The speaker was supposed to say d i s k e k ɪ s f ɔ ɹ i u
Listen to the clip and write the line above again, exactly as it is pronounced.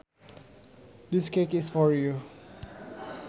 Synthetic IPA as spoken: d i s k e k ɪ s f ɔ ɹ j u

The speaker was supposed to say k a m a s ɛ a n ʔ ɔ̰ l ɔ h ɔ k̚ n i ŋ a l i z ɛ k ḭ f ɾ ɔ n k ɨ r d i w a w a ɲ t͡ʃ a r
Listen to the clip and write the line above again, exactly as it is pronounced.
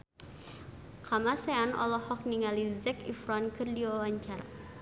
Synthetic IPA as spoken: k a m a s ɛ a n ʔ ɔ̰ l ɔ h ɔ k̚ n i ŋ a l i z ɛ k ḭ f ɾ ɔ n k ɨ r d i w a w a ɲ t͡ʃ a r

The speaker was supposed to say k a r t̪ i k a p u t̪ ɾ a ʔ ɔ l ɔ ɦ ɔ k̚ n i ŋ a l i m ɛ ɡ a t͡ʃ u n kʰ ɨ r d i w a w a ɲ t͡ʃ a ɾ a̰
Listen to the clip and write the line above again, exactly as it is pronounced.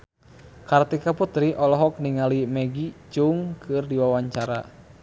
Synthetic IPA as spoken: k a r t̪ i k a p u t̪ ɾ i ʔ ɔ l ɔ ɦ ɔ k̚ n i ŋ a l i m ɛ ɡ i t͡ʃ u ŋ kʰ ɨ r d i w a w a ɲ t͡ʃ a ɾ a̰

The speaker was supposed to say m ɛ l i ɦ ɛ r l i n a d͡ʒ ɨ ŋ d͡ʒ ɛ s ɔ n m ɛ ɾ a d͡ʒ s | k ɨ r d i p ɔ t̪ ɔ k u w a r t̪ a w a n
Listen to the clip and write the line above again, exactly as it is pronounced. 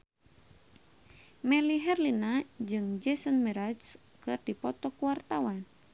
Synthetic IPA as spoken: m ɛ l i ɦ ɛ r l i n a d͡ʒ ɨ ŋ d͡ʒ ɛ s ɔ n m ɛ ɾ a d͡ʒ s | k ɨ r d i p ɔ t̪ ɔ k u w a r t̪ a w a n

